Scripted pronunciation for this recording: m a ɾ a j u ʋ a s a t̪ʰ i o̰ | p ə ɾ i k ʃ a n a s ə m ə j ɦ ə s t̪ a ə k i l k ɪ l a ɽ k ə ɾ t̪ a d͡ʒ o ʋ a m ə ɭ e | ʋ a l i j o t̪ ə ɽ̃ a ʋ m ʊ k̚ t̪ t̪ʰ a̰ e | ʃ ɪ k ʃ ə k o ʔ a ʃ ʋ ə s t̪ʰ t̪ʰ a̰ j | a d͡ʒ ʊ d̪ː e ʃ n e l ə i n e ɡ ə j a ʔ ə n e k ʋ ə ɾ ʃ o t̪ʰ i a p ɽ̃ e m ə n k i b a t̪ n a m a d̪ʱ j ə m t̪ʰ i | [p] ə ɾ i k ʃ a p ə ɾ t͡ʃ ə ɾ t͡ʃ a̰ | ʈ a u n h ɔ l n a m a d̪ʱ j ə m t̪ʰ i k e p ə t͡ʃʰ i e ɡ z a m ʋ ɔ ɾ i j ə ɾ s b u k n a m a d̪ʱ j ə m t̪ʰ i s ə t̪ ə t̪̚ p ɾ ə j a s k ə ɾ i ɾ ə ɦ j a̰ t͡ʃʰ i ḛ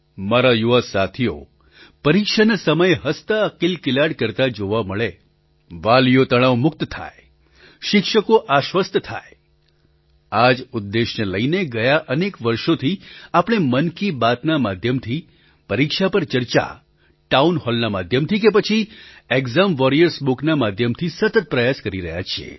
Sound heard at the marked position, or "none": p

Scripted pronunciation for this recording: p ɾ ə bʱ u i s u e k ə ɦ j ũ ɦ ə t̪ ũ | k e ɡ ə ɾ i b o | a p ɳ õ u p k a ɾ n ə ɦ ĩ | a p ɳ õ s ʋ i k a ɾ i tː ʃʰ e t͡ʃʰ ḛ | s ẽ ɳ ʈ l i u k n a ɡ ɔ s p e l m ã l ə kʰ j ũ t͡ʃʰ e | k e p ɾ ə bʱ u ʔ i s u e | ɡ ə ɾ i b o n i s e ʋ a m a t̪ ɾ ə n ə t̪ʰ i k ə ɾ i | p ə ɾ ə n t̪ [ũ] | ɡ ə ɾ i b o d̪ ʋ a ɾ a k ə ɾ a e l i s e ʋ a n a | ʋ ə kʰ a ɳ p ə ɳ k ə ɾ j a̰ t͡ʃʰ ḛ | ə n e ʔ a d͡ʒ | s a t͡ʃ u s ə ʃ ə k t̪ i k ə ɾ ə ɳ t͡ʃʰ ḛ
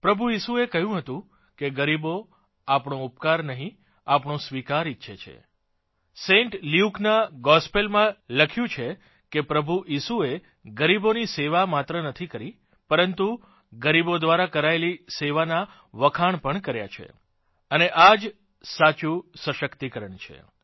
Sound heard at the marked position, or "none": u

